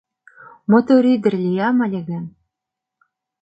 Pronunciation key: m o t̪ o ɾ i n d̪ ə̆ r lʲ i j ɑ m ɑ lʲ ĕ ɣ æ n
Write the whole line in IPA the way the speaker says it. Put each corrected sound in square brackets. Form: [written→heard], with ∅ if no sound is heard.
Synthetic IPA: m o t̪ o ɾ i [n→∅] d̪ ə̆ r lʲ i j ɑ m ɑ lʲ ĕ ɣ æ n